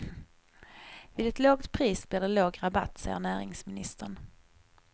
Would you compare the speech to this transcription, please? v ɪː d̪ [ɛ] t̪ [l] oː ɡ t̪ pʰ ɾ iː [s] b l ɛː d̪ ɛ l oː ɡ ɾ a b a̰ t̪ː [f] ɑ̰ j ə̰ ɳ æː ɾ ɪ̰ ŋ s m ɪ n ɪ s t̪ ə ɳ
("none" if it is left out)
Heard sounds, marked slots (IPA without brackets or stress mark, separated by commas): ɛ, l, s, s